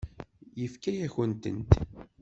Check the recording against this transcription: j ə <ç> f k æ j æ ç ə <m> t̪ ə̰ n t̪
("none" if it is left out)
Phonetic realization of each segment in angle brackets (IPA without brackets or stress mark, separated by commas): none, n